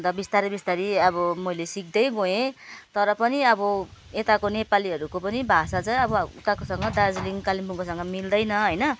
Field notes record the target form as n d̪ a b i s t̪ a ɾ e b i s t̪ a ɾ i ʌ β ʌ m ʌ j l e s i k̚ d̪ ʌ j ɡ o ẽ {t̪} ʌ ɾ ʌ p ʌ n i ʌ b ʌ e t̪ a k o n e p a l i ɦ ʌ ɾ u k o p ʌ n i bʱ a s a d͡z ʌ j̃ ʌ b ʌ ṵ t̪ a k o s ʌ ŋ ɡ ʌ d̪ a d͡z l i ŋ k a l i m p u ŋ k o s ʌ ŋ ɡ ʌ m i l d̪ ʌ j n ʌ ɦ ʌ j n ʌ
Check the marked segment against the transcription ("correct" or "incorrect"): correct